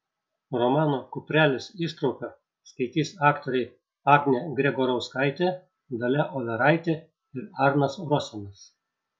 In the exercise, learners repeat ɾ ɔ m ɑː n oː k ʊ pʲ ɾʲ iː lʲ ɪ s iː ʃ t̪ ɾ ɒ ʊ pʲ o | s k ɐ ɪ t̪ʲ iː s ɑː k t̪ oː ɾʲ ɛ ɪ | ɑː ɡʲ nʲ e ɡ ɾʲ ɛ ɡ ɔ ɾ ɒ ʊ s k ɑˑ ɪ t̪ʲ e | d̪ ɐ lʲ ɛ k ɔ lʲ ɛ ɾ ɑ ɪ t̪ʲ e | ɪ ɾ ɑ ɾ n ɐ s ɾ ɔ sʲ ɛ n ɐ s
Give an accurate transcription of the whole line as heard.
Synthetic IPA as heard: ɾ ɔ m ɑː n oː k ʊ pʲ ɾʲ æː lʲ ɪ s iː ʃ t̪ ɾ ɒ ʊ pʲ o | s k ɐ ɪ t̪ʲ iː s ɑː k t̪ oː ɾʲ ɛ ɪ | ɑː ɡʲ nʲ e ɡ ɾʲ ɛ ɡ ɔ ɾ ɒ ʊ s k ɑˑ ɪ t̪ʲ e | d̪ ɐ lʲ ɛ ʔ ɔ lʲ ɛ ɾ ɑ ɪ t̪ʲ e | ɪ ɾ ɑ ɾ n ɐ s ɾ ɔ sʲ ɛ n ɐ s